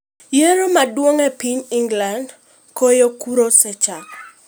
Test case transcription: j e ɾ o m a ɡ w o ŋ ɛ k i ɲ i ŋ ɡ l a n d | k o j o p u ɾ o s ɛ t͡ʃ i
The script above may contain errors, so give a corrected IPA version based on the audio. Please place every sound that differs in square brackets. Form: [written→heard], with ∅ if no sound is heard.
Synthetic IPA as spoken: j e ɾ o m a [ɡ→d] w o ŋ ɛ [k→p] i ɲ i ŋ ɡ l a n d | k o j o [p→k] u ɾ o s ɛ t͡ʃ [i→a]